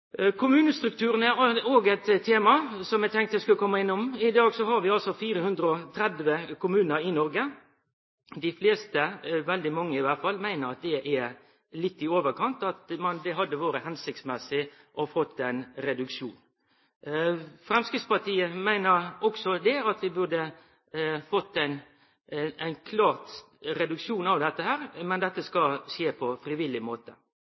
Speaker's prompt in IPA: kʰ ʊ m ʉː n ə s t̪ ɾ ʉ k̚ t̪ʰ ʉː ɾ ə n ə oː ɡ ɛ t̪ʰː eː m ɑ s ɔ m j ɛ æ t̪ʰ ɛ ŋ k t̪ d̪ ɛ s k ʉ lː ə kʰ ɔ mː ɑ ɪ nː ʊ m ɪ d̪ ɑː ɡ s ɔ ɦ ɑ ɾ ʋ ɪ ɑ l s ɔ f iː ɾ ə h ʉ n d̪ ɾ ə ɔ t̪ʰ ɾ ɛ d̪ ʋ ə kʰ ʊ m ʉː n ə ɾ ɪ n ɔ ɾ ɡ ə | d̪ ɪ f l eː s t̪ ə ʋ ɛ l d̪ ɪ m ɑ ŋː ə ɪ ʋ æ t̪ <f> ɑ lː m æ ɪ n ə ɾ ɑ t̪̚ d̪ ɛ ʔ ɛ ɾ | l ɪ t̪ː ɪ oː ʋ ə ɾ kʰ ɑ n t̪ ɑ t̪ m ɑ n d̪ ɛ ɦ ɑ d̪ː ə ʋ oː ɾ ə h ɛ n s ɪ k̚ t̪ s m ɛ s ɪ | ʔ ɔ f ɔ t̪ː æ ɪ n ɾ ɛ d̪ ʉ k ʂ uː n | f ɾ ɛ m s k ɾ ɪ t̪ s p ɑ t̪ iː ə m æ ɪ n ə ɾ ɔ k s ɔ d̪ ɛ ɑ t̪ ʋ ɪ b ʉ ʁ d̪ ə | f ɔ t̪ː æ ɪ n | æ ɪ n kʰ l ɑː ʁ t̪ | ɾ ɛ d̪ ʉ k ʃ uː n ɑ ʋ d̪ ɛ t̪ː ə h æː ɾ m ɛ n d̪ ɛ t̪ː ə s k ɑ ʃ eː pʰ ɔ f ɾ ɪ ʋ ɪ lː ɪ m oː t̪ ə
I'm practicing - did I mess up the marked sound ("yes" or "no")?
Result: no